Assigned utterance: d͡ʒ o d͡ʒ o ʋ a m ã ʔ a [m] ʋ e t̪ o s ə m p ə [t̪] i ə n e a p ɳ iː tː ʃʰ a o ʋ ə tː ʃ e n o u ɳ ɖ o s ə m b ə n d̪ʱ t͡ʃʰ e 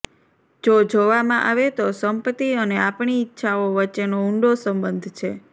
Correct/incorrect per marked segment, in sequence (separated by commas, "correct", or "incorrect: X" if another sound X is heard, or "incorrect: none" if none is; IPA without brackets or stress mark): incorrect: none, correct